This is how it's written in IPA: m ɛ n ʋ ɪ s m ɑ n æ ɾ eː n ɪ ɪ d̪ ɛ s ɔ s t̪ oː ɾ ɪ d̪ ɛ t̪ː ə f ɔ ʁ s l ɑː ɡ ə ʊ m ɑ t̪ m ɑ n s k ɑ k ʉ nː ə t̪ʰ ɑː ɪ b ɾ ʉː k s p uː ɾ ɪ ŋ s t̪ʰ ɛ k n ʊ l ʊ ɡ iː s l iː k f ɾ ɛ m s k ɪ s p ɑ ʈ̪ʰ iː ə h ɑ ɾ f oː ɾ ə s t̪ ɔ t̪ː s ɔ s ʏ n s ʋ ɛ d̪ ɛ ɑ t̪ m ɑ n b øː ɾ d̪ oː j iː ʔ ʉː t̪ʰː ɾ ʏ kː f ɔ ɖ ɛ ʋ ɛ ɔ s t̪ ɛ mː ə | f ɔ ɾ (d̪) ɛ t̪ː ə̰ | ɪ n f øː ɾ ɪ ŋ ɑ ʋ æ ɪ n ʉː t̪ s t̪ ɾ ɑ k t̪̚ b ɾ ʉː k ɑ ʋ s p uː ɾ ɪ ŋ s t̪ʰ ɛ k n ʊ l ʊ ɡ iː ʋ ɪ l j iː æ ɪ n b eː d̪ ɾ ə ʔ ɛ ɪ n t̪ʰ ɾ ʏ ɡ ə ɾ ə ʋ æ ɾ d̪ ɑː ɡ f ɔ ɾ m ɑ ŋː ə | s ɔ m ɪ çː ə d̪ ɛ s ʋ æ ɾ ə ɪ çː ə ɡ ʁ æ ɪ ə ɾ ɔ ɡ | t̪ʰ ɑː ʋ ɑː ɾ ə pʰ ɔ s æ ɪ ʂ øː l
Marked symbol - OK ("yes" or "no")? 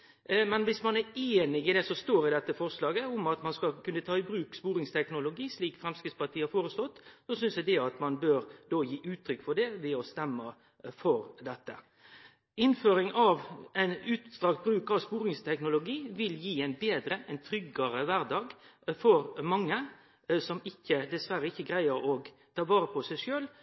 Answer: yes